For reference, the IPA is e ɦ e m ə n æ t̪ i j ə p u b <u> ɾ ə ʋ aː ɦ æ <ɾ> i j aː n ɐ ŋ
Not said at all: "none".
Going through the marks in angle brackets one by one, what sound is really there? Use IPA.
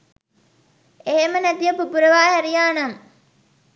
u, ɾ

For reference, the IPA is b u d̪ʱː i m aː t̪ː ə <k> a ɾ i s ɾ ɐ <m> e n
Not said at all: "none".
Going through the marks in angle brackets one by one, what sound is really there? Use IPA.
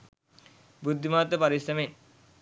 p, m

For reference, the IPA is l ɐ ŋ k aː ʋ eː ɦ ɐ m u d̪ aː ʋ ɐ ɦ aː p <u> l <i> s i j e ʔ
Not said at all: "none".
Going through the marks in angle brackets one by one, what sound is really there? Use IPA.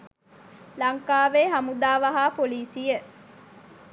o, iː

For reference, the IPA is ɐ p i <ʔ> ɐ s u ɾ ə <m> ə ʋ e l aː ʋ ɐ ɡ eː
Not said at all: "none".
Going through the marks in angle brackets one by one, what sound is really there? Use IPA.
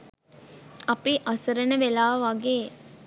ʔ, n

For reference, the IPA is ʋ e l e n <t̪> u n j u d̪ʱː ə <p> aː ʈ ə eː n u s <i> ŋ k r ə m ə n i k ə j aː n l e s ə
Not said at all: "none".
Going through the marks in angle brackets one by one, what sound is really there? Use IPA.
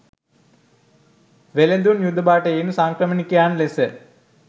d̪, b, a

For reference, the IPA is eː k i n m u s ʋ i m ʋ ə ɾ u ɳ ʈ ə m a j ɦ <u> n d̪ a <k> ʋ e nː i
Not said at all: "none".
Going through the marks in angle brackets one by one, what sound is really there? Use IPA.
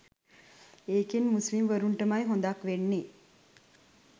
o, k

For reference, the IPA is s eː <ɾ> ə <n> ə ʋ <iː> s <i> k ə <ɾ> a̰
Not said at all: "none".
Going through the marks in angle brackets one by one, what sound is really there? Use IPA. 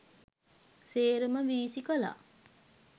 ɾ, m, iː, i, l

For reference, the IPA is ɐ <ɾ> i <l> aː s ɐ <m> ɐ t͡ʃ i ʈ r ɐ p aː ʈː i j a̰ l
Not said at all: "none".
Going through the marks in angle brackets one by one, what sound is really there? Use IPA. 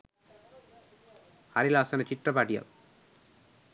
ɾ, l, n

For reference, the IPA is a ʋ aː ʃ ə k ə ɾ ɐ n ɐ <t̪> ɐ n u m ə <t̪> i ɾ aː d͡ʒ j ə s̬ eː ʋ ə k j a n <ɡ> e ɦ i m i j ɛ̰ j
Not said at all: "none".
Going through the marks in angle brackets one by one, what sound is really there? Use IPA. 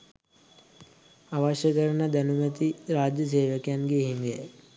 d̪, t̪, ɡ

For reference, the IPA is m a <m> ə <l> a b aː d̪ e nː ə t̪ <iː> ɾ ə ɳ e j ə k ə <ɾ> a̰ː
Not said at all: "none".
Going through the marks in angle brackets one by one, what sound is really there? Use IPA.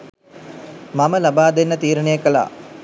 m, l, iː, l

